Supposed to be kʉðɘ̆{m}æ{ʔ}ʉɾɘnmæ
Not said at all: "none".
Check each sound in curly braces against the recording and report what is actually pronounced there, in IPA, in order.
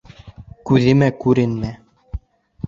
m, k

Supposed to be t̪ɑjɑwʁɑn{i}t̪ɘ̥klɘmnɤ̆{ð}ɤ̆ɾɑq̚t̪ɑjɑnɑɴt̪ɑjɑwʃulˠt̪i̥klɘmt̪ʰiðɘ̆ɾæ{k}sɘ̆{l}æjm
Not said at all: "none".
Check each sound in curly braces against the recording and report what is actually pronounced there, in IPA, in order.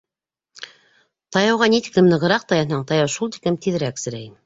i, ʁ, k, ɾ

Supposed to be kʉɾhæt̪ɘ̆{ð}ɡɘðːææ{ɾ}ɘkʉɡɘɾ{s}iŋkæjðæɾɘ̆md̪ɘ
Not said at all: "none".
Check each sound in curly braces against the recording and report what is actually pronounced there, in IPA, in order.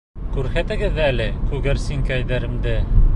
none, l, s

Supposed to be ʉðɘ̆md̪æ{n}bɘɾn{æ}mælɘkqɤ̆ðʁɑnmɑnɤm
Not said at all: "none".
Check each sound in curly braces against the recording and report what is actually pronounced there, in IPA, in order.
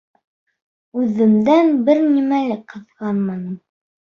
n, i

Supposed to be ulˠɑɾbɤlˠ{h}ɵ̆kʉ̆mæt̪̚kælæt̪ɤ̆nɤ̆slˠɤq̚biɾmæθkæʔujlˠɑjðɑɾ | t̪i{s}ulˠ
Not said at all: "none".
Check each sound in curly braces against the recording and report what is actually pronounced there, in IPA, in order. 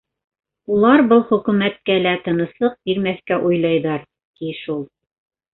χ, ʃ

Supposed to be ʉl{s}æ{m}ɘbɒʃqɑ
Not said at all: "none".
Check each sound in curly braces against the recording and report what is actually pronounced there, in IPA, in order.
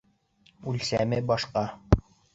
s, m

